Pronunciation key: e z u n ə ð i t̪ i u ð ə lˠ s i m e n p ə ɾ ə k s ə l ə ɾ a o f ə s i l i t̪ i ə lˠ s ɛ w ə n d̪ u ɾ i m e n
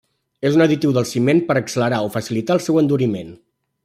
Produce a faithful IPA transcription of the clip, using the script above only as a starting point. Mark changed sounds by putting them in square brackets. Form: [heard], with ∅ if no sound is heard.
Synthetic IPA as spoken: e z u n ə ð i t̪ i [w] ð ə lˠ s i m e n p ə ɾ ə k s ə l ə ɾ a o f ə s i l i t̪ [a] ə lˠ s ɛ w ə n d̪ u ɾ i m e n